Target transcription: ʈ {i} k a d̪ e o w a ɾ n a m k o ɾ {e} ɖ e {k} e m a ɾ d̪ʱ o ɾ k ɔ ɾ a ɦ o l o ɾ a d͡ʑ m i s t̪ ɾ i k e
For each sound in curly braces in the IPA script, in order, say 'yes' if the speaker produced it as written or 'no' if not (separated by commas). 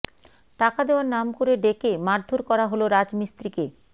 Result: no, yes, yes